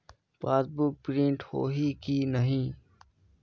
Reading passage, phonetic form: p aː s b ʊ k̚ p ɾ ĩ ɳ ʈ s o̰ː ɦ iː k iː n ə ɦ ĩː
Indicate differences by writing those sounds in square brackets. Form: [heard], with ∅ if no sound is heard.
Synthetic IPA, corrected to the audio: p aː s b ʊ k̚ p ɾ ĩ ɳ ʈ [h] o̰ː ɦ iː k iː n ə ɦ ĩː